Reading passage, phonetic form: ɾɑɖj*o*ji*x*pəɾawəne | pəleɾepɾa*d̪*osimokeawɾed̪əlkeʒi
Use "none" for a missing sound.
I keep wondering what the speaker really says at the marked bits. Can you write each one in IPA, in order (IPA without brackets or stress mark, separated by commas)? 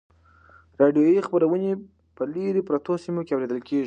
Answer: o, x, t̪